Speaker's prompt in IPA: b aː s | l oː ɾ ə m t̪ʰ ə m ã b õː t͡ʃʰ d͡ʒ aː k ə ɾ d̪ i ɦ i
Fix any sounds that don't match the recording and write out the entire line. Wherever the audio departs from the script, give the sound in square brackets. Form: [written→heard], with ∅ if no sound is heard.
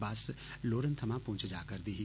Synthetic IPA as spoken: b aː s | l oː ɾ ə [m→n] t̪ʰ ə m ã [b→p] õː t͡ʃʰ d͡ʒ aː k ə ɾ d̪ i ɦ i